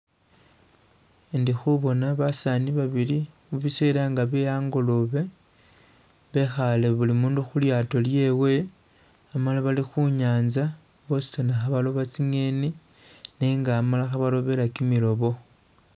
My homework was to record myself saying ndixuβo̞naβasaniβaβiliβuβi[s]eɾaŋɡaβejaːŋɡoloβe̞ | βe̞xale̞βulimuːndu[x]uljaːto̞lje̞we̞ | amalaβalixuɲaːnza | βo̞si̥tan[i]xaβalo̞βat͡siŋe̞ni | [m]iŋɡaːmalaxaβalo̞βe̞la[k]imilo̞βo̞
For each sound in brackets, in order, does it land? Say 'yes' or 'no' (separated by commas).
yes, yes, no, no, yes